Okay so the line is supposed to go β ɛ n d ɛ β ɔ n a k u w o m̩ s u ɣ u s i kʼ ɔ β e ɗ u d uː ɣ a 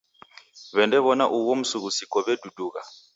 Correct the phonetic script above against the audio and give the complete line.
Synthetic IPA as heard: β ɛ n d ɛ β ɔ n a ʔ u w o m̩ s u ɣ u s i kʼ ɔ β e d u d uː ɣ a